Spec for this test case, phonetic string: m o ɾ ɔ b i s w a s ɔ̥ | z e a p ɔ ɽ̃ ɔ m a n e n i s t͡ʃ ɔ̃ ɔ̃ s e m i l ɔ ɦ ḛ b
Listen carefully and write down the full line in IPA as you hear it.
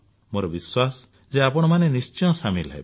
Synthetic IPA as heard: m o ɾ ɔ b i s w a s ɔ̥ | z e a p ɔ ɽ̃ ɔ m a n e n i s t͡ʃ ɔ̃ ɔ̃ s a m i l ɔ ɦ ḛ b